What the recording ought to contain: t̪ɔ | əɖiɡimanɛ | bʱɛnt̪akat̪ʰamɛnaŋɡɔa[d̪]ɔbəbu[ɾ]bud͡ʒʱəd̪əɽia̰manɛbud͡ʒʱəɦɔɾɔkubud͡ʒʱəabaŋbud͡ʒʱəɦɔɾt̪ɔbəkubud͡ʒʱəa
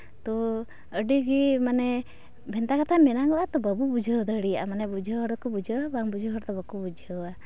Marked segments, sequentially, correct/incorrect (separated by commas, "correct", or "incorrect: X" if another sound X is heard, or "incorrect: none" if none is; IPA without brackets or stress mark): incorrect: t̪, incorrect: none